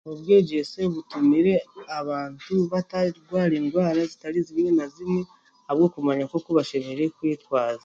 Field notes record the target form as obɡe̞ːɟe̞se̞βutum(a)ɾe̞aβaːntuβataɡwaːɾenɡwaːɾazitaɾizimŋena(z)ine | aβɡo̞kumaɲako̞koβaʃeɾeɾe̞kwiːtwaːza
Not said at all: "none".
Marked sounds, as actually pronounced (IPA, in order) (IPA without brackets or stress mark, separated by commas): i, z